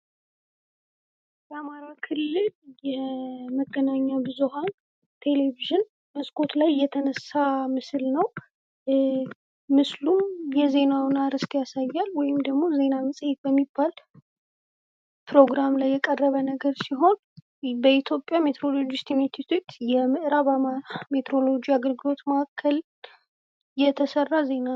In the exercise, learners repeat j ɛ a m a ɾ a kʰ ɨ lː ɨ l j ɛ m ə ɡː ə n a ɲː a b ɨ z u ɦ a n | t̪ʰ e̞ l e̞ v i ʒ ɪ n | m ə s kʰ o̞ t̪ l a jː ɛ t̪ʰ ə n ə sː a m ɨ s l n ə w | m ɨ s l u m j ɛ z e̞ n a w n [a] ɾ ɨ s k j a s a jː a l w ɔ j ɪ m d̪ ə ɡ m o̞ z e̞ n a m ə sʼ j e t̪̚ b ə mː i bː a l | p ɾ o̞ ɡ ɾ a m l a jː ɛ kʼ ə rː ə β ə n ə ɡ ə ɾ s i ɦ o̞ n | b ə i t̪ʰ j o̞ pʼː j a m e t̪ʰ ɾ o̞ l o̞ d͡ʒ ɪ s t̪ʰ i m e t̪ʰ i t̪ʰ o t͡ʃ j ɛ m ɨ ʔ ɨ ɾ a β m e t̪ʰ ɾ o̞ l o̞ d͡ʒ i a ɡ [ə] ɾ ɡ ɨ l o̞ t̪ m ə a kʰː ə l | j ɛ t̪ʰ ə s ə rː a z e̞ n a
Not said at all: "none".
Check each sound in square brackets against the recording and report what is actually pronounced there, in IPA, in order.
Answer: a, ə

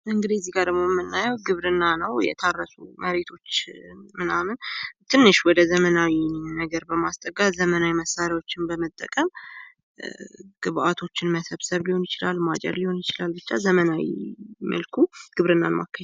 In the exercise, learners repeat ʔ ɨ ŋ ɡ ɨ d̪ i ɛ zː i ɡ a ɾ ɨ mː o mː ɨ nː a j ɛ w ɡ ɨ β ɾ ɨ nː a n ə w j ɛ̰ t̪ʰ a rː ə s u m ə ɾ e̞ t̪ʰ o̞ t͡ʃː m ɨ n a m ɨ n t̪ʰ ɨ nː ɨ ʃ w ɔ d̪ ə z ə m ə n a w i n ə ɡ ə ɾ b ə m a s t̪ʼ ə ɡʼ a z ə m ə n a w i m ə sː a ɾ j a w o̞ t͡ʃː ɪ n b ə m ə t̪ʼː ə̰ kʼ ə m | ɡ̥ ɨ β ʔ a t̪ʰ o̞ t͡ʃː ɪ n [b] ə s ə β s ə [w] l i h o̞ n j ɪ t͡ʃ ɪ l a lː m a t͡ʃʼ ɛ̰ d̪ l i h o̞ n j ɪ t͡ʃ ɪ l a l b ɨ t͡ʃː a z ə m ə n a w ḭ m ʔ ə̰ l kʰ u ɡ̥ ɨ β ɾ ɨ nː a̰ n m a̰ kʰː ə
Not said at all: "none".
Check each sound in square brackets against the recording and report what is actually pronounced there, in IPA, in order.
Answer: m, β

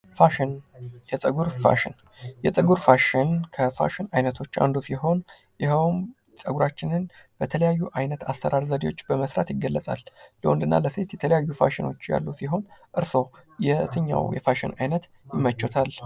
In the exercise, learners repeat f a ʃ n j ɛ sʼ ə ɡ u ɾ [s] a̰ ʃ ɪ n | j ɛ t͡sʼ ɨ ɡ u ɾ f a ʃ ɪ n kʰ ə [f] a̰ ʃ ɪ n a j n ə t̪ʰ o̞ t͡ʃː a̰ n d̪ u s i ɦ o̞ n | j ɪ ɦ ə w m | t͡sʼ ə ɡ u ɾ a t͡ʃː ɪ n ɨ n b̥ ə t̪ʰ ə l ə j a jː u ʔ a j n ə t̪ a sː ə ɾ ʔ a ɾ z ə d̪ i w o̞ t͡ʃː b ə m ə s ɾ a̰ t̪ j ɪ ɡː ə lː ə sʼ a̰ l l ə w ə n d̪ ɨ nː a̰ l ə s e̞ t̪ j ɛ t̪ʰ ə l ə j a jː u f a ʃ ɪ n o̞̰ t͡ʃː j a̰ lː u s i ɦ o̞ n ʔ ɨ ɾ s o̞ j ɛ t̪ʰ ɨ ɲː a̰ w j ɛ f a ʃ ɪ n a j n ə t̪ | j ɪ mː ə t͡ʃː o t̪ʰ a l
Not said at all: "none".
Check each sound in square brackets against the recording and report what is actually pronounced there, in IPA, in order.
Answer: f, f

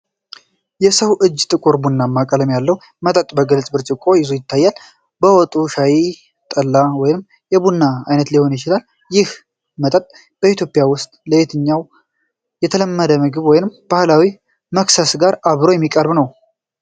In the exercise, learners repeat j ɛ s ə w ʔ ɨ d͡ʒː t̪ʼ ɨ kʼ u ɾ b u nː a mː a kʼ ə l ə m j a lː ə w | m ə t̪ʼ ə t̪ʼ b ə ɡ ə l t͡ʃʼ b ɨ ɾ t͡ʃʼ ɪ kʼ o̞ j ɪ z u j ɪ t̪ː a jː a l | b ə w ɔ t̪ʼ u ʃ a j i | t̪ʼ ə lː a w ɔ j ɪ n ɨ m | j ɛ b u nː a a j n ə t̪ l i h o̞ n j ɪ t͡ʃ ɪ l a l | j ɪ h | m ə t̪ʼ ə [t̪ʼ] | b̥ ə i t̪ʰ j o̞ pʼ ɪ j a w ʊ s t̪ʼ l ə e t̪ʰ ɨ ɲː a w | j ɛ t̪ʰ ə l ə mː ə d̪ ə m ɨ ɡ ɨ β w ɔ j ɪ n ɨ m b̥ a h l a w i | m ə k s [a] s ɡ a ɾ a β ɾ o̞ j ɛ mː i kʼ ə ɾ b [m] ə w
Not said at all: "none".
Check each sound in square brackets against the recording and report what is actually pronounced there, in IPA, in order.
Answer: t̪ʼ, ə, n

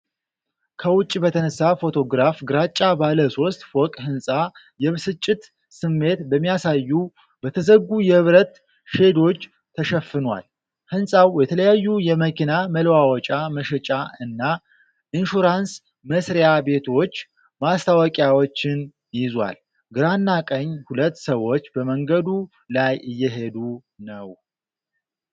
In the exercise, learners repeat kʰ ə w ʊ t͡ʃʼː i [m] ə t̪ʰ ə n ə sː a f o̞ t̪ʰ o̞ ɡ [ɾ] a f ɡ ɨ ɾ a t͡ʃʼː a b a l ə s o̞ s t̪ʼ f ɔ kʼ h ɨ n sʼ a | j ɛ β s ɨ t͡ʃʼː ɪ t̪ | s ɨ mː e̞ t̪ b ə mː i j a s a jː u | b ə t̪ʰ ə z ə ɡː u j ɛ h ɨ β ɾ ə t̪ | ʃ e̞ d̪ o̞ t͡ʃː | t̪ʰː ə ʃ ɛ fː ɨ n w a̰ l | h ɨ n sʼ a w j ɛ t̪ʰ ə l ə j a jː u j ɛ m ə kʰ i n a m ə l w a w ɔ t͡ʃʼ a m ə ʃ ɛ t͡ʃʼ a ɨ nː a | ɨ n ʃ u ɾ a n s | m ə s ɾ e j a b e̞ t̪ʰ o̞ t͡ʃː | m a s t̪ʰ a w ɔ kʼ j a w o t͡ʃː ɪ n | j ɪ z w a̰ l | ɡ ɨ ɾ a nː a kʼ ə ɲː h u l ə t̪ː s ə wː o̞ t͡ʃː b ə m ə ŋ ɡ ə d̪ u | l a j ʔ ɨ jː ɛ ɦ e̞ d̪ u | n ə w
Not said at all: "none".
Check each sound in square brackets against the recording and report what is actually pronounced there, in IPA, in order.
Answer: b, ɾ

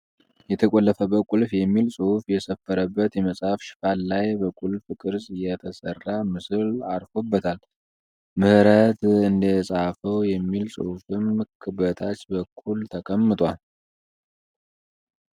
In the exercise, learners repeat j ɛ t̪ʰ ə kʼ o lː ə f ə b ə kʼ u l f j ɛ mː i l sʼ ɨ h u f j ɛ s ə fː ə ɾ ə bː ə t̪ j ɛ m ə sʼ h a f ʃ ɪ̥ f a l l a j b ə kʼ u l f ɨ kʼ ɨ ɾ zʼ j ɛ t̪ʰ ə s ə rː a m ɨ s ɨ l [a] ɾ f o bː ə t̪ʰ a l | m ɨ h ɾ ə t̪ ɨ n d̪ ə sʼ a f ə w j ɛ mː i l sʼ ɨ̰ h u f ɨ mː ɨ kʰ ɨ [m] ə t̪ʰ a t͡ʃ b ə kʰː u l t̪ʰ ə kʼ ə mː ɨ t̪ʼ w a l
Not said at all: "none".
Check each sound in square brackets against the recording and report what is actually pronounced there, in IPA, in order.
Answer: a, b

